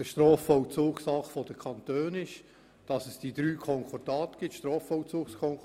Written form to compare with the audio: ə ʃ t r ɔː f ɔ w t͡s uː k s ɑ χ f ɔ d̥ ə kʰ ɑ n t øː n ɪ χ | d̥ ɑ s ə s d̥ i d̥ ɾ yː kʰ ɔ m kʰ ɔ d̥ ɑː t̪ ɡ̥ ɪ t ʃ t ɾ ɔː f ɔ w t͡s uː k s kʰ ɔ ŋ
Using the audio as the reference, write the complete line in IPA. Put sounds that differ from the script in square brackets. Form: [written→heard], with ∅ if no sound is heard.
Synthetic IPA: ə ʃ t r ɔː f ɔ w t͡s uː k s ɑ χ f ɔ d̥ ə kʰ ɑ n t øː n ɪ [χ→ʃ] | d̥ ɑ s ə s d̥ i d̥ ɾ yː kʰ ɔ [m→ŋ] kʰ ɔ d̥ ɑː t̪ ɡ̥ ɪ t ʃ t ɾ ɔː f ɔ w t͡s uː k s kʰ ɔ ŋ